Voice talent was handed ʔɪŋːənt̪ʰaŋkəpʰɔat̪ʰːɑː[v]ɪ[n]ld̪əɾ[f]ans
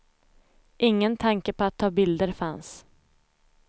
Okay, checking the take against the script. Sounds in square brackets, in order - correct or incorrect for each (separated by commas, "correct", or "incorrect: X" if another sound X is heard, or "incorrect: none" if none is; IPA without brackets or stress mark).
incorrect: b, incorrect: none, correct